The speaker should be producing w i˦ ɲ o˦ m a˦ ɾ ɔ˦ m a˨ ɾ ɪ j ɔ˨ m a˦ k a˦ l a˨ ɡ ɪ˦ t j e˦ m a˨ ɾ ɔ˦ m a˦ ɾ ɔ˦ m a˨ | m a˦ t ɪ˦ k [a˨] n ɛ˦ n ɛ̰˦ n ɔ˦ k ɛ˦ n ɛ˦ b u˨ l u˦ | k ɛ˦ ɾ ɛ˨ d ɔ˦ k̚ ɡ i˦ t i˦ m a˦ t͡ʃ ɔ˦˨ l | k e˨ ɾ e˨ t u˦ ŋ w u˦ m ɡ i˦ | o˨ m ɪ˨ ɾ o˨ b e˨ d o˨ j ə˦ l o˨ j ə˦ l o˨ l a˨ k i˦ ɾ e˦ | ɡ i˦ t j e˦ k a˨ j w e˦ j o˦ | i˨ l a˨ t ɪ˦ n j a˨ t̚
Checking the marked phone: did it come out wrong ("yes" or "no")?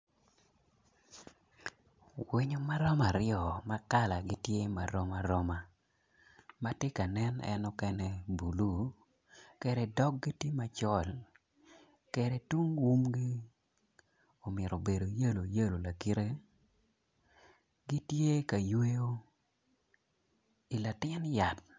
no